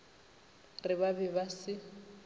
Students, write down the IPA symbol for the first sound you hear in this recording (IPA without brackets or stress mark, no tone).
r